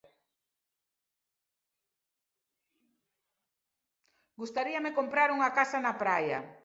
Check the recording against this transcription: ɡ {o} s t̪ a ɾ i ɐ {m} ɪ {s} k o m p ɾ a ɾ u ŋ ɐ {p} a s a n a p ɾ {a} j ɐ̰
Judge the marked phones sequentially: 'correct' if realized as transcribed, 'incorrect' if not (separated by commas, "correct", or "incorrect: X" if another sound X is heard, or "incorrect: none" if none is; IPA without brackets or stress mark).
incorrect: u, correct, incorrect: none, incorrect: k, correct